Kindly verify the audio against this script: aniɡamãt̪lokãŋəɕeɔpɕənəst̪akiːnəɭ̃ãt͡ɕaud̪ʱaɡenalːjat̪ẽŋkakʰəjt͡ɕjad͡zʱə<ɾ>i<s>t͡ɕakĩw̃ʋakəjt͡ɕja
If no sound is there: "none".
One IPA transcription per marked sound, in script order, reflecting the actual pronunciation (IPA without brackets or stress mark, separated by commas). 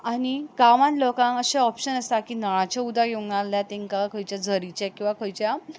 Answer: ɾ, none